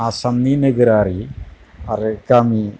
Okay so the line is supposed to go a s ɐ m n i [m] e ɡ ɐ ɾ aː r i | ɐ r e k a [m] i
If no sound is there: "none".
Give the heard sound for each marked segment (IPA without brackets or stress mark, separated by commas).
n, m